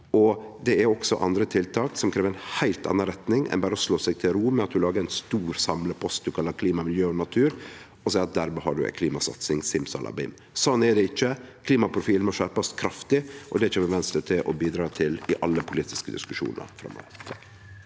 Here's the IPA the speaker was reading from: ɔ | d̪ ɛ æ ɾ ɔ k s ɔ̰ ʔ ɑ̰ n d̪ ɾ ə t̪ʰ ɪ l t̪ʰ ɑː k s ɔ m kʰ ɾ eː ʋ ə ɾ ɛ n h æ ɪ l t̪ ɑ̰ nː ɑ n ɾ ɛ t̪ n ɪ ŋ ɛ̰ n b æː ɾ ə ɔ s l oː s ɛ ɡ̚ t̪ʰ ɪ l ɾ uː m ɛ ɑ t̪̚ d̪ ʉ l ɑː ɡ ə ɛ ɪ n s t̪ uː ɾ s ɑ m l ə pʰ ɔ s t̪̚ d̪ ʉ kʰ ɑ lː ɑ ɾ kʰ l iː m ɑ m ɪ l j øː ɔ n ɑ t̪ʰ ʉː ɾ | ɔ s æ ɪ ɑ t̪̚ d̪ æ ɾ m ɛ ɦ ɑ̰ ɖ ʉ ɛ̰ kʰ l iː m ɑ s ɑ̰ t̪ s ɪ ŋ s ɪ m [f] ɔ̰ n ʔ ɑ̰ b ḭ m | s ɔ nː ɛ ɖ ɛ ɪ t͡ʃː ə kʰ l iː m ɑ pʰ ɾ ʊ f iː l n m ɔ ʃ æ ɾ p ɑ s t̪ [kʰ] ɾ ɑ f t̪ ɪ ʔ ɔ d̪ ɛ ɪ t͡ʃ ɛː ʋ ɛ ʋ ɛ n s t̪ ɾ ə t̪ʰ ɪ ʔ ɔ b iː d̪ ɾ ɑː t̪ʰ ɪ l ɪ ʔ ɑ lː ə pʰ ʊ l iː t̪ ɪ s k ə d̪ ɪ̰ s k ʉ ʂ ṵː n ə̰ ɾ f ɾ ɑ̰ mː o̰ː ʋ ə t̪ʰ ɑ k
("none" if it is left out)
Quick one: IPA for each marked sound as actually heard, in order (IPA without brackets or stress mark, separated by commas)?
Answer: s, kʰ